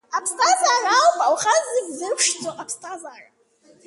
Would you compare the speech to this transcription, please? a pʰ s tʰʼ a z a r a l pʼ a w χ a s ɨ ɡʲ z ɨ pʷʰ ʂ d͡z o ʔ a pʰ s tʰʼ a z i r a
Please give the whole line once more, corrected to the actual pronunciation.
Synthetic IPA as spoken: a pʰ s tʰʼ a z a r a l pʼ a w χ a z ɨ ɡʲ z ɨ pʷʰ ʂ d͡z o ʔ a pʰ s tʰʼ a z a r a

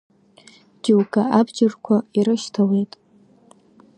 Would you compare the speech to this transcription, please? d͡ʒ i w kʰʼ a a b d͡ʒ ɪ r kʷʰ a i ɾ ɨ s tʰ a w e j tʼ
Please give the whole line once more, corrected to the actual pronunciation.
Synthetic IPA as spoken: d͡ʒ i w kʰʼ a a b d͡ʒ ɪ r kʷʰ a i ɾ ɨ ʃ tʰ a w e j tʼ

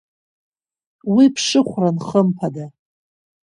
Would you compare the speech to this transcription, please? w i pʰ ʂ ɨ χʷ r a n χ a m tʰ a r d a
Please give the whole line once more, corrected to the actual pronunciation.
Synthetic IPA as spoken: w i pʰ ʂ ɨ χʷ r a n χ ə m pʰ a d a

